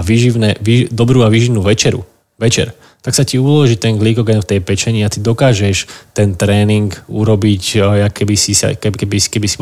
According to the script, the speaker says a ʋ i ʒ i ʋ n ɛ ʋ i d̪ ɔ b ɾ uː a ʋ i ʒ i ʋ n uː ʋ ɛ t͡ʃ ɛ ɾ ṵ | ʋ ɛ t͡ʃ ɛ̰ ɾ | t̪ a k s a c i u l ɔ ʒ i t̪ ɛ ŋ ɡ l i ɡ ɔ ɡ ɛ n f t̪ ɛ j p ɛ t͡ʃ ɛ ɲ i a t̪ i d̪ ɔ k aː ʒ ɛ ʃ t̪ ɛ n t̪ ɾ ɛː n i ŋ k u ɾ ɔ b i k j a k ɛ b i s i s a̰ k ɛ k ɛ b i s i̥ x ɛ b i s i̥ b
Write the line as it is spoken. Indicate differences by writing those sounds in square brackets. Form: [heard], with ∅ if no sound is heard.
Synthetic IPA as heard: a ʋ i ʒ i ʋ n ɛ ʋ i d̪ ɔ b ɾ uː a ʋ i ʒ i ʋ n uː ʋ ɛ t͡ʃ ɛ ɾ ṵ | ʋ ɛ t͡ʃ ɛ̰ ɾ | t̪ a k s a c i u l ɔ ʒ i t̪ ɛ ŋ ɡ l i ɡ ɔ ɡ ɛ n f t̪ ɛ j p ɛ t͡ʃ ɛ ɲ i a t̪ i d̪ ɔ k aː ʒ ɛ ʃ t̪ ɛ n t̪ ɾ ɛː n i ŋ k u ɾ ɔ b i [c] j a k ɛ b i s i s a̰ k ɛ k ɛ b i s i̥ [k] ɛ b i s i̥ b